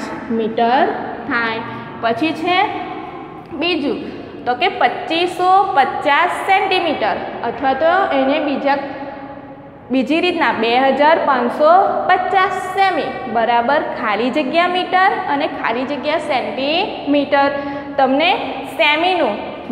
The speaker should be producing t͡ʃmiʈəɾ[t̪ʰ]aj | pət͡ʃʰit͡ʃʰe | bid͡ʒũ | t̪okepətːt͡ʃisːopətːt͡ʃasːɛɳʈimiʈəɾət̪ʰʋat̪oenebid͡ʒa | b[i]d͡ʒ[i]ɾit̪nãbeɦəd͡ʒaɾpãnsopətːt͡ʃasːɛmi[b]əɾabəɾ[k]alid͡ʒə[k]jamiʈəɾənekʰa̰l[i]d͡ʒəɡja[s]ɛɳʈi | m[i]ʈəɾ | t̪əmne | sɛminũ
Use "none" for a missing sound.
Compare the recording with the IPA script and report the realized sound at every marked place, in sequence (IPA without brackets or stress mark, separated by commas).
t̪ʰ, i, i, b, kʰ, ɡ, i, s, i